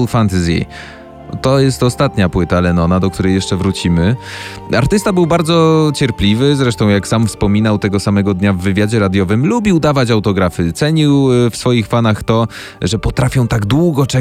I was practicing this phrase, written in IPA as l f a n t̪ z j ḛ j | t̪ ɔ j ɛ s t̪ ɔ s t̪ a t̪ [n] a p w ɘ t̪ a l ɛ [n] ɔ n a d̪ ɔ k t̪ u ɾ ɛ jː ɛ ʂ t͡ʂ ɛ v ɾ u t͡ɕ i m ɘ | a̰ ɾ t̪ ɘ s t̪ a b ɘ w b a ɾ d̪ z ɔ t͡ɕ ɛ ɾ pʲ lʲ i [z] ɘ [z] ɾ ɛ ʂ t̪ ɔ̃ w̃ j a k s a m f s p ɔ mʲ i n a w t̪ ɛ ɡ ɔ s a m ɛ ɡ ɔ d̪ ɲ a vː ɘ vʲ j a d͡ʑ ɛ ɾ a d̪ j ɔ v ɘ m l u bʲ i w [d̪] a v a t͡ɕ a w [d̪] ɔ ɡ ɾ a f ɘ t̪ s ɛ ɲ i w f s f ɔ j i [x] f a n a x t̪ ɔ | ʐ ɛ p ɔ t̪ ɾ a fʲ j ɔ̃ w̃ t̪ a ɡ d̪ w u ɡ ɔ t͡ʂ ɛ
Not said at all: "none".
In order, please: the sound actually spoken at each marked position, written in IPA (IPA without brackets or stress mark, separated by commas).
ɲ, n, v, z, d̪, t̪, x